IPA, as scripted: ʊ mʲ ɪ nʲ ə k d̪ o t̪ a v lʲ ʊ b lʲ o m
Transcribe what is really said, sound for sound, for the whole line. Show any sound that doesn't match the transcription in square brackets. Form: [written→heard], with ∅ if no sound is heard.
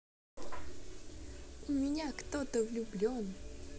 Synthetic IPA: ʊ mʲ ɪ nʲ [ə→a] k [d̪→t̪] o t̪ [a→ə] v lʲ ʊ b lʲ o [m→n]